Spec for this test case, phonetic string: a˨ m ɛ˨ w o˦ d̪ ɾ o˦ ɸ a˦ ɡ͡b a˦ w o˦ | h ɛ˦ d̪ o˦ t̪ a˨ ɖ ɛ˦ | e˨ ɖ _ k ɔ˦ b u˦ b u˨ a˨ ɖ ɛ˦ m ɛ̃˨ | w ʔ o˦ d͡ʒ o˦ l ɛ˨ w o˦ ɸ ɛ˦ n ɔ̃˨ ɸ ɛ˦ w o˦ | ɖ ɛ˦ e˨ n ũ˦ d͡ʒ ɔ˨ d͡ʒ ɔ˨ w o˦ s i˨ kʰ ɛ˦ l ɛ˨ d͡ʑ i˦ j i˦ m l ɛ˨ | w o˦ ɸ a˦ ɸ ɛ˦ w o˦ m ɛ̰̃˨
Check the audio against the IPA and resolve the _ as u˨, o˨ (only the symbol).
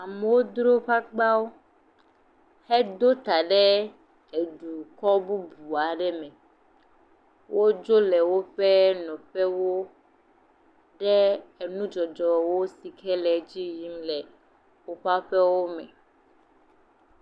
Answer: u˨